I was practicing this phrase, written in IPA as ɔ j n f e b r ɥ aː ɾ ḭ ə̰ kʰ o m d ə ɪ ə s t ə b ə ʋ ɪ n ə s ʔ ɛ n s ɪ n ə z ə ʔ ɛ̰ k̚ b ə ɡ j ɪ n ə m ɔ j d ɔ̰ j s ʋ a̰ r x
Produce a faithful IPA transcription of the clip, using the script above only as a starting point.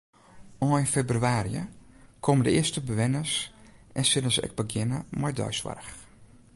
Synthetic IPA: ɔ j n f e b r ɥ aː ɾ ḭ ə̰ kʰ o m d ə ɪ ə s t ə b ə ʋ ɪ n ə s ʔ ɛ n s ɪ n ə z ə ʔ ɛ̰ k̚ b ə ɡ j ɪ n ə m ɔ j d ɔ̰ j s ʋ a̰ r x